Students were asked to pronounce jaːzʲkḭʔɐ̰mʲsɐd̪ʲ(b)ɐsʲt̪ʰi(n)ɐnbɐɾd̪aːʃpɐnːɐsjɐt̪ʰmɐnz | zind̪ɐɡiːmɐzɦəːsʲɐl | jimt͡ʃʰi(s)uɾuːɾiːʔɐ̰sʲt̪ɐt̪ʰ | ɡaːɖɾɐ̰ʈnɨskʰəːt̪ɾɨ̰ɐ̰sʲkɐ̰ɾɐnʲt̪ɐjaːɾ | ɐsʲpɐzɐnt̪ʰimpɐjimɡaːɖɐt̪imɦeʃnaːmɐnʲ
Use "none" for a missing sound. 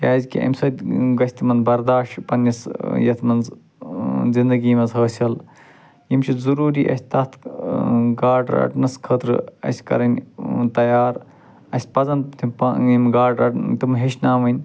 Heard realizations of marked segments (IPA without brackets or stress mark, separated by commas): ɡ, m, z